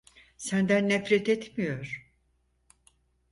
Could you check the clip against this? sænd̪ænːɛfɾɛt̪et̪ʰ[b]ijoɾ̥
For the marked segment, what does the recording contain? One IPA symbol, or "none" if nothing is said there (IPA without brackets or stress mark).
m